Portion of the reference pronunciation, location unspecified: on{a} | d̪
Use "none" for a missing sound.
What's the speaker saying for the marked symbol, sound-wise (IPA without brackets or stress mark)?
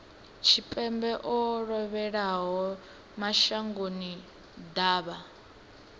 i